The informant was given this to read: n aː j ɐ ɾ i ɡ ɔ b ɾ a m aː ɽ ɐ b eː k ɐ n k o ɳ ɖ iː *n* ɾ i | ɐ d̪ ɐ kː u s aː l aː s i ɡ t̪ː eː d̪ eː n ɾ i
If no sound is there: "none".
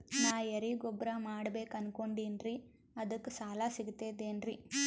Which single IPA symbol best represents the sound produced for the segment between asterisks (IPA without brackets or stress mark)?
n